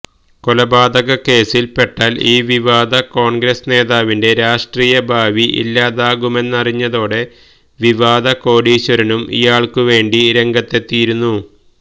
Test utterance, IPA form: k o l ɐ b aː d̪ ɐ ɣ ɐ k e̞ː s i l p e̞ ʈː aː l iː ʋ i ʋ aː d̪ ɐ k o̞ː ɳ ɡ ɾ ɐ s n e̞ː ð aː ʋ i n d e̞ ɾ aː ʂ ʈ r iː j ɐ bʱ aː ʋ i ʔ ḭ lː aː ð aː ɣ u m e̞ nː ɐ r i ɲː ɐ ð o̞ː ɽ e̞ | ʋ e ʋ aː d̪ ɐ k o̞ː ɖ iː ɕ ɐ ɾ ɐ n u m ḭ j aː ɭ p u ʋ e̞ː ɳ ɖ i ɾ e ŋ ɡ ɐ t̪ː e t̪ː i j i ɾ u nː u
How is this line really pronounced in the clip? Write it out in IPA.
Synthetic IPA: k o l ɐ b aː d̪ ɐ ɣ ɐ k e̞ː s i l p e̞ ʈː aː l iː ʋ i ʋ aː d̪ ɐ k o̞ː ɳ ɡ ɾ ɐ s n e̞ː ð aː ʋ i n d e̞ ɾ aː ʂ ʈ r iː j ɐ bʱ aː ʋ i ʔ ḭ lː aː ð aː ɣ u m e̞ nː ɐ r i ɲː ɐ ð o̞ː ɽ e̞ | ʋ i ʋ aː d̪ ɐ k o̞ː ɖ iː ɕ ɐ ɾ ɐ n u m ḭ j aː ɭ k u ʋ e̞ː ɳ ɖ i ɾ e ŋ ɡ ɐ t̪ː e t̪ː i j i ɾ u nː u